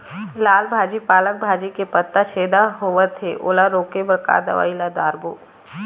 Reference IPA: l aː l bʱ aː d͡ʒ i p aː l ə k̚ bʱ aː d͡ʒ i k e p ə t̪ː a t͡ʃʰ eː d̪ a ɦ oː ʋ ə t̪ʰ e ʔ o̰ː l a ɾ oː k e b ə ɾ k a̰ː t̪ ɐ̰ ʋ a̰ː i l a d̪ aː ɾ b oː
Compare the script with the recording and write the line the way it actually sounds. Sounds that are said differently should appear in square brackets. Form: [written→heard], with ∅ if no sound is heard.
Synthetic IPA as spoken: l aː l bʱ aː d͡ʒ i p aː l ə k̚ bʱ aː d͡ʒ i k e p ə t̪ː a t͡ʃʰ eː d̪ a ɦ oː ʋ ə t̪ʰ e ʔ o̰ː l a ɾ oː k e b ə ɾ k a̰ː [t̪→d̪] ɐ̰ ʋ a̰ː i l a d̪ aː ɾ b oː